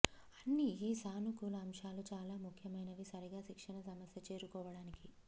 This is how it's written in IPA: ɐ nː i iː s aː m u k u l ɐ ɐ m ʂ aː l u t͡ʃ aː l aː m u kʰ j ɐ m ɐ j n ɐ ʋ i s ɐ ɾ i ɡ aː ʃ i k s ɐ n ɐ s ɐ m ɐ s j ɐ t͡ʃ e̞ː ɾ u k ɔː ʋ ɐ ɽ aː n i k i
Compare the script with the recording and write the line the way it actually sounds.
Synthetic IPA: ɐ nː i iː s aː n u k u l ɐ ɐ m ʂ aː l u t͡ʃ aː l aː m u kʰ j ɐ m ɐ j n ɐ ʋ i s ɐ ɾ i ɡ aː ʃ i k ʂ ɐ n ɐ s ɐ m ɐ s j ɐ t͡ʃ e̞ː ɾ u k ɔː ʋ ɐ ɽ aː n i k i